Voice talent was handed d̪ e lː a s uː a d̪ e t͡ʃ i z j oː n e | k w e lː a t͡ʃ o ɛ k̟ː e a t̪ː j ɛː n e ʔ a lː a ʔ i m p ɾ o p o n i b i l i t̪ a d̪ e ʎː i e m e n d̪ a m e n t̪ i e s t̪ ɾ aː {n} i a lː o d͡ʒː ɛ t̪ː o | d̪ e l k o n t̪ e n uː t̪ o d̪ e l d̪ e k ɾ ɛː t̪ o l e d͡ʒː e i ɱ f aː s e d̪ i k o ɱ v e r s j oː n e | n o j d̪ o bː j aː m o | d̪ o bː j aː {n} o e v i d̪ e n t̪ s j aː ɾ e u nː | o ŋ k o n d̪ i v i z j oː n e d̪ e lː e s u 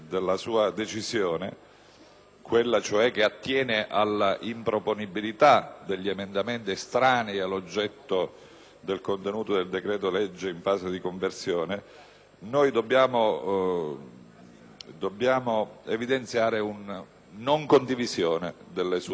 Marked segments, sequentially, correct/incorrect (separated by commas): correct, incorrect